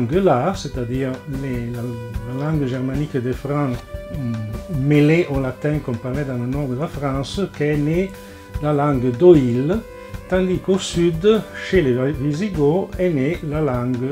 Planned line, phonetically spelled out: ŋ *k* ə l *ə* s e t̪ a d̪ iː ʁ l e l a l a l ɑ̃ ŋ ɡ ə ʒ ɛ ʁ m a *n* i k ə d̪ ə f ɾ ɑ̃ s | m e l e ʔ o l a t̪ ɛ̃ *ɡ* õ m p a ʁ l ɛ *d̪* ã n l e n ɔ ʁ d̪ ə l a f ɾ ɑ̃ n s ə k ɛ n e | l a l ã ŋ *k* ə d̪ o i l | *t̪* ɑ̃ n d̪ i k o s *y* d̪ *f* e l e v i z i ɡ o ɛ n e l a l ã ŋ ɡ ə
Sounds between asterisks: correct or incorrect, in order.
incorrect: ɡ, incorrect: a, correct, incorrect: k, correct, incorrect: ɡ, correct, correct, incorrect: ʃ

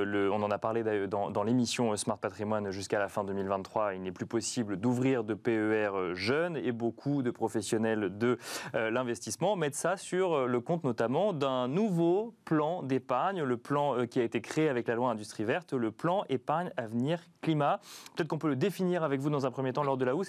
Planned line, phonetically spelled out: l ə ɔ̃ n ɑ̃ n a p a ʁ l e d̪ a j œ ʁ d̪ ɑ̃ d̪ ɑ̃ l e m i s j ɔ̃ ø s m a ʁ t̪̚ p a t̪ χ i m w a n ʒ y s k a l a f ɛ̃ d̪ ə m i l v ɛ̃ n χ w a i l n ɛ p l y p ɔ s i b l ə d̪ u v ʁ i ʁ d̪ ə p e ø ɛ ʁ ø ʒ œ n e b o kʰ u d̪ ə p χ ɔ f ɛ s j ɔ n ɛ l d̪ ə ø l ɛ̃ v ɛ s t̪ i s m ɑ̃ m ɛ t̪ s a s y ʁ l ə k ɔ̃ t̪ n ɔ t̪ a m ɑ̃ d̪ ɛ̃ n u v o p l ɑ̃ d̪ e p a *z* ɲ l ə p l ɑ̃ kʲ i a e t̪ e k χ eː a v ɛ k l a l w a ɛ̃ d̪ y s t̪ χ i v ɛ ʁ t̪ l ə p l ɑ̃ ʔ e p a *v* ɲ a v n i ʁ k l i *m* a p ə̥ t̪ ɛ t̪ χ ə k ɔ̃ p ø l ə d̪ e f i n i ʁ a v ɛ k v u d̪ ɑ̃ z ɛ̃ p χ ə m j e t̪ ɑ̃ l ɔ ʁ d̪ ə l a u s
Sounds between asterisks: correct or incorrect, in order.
incorrect: ʁ, incorrect: ʁ, correct

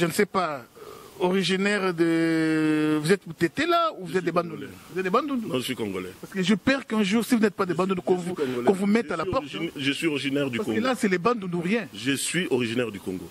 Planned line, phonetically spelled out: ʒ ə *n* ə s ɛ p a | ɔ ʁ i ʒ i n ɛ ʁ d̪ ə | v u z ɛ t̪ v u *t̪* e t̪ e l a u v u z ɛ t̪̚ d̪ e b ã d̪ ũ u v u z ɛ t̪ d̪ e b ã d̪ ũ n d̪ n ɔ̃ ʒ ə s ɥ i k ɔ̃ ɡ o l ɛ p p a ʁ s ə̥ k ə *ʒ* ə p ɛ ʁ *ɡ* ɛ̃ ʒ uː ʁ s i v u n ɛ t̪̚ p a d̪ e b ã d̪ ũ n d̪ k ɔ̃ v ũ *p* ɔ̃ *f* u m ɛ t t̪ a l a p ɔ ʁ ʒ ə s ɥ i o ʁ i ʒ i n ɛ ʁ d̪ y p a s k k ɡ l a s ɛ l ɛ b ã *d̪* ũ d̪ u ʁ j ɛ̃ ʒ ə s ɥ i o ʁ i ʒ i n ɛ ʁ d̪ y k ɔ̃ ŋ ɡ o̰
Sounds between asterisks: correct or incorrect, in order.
correct, correct, correct, incorrect: k, incorrect: k, incorrect: v, correct

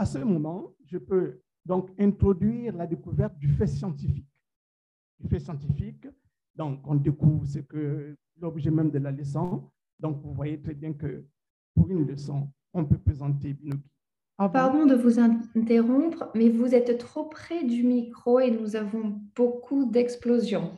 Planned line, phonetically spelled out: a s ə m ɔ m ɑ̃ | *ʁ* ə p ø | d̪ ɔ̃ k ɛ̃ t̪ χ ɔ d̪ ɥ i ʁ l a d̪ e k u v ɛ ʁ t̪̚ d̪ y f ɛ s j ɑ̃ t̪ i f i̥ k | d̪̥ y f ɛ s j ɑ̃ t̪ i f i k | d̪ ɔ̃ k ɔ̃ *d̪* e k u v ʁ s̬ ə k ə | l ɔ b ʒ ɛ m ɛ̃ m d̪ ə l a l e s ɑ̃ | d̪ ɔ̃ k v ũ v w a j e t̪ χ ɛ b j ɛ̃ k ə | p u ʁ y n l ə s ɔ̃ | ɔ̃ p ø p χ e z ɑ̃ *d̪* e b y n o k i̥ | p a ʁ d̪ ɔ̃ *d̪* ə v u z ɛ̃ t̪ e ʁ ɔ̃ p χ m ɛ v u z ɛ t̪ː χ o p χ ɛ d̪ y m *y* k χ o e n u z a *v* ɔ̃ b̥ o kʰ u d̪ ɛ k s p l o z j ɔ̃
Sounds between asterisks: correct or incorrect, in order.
incorrect: ʒ, correct, incorrect: t̪, correct, incorrect: i, correct

